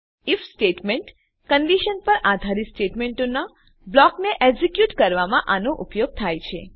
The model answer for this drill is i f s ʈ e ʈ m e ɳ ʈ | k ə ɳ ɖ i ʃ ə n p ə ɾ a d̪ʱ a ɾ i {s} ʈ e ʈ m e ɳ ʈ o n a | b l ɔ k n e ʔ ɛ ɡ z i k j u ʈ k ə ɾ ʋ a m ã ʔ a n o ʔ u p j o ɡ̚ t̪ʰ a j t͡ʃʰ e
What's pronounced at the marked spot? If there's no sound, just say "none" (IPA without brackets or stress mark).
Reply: s